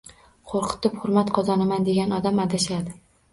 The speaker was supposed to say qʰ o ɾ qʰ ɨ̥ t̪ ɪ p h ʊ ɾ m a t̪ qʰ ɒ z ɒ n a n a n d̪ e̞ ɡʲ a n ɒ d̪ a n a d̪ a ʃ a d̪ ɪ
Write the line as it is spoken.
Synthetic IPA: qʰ o ɾ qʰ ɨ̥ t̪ ɪ p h ʊ ɾ m a t̪ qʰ ɒ z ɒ n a m a n d̪ e̞ ɡʲ a n ɒ d̪ a m a d̪ a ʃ a d̪ ɪ

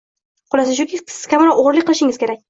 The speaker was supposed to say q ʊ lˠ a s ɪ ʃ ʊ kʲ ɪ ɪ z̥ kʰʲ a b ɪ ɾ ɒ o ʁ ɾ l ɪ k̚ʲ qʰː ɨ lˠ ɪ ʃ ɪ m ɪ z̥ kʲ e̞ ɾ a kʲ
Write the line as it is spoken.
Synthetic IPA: q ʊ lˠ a s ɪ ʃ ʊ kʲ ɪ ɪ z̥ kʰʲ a m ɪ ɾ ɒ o ʁ ɾ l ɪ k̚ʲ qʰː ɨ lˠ ɪ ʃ ɪ ŋ ɪ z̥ kʲ e̞ ɾ a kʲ

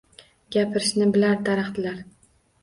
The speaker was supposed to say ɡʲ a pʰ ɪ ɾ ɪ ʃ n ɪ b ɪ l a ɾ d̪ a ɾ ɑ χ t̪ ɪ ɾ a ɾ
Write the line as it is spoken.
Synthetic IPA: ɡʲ a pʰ ɪ ɾ ɪ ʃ n ɪ b ɪ l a ɾ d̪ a ɾ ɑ χ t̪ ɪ l a ɾ

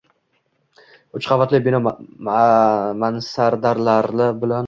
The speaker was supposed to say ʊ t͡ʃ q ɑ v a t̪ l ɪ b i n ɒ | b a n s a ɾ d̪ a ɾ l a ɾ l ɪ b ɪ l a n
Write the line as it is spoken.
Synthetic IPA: ʊ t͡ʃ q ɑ v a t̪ l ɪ b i n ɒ | m a n s a ɾ d̪ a ɾ l a ɾ l ɪ b ɪ l a n

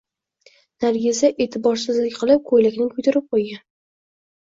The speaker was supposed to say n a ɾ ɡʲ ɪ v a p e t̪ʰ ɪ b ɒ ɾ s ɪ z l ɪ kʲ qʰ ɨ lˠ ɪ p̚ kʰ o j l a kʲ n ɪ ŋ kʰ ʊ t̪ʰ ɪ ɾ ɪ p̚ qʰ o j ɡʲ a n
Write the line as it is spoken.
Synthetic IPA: n a ɾ ɡʲ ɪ z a ʔ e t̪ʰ ɪ b ɒ ɾ s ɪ z l ɪ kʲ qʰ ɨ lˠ ɪ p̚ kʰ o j l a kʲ n ɪ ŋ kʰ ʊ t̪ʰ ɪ ɾ ɪ p̚ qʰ o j ɡʲ a n

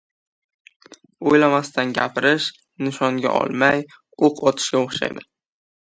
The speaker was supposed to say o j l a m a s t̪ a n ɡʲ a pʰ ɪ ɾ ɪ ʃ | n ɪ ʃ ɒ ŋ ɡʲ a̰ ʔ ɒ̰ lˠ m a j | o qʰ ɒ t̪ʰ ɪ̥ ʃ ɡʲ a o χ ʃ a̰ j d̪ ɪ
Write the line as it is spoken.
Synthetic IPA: o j l a m a s t̪ a n ɡʲ a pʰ ɪ ɾ ɪ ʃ | n ɪ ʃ ɒ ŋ ɡʲ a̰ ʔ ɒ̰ lˠ m a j | o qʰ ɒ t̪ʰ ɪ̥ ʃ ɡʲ a o χ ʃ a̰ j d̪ ɪ

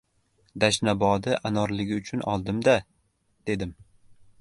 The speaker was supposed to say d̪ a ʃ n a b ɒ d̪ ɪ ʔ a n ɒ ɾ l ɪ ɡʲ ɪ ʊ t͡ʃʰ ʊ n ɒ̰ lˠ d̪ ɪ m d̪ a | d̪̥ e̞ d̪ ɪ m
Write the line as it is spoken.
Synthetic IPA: d̪ a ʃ n a b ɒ d̪ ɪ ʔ a n ɒ ɾ l ɪ ɡʲ ɪ ʊ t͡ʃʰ ʊ n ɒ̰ lˠ d̪ ɪ m d̪ a | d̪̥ e̞ d̪ ɪ m

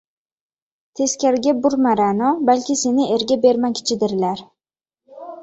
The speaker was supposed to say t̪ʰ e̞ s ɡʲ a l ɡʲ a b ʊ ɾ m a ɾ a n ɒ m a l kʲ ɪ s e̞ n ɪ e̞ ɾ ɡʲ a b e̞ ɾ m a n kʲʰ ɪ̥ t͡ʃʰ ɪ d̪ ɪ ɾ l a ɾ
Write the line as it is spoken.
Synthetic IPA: t̪ʰ e̞ s kʲ a ɾ ɡʲ a b ʊ ɾ m a ɾ a n ɒ b a l kʲ ɪ s e̞ n ɪ e̞ ɾ ɡʲ a b e̞ ɾ m a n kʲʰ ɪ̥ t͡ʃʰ ɪ d̪ ɪ ɾ l a ɾ

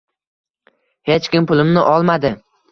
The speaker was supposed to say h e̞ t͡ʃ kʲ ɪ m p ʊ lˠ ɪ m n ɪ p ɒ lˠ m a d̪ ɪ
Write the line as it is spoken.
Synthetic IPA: h e̞ t͡ʃ kʲ ɪ m p ʊ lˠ ɪ m n ɪ ʔ ɒ lˠ m a d̪ ɪ

